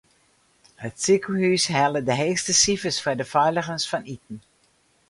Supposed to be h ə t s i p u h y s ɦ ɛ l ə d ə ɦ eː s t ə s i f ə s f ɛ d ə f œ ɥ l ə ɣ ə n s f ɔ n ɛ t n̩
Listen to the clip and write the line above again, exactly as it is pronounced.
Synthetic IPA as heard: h ə t s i k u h y s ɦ ɛ l ə d ə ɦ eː s t ə s i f ə s f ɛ d ə f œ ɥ l ə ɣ ə n s f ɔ n i t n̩